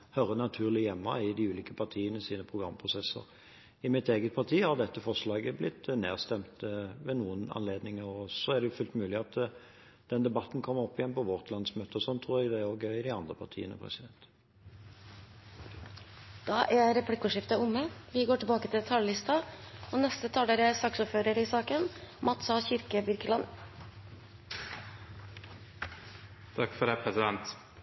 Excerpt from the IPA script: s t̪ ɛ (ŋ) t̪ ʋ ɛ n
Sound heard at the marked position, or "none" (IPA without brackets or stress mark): m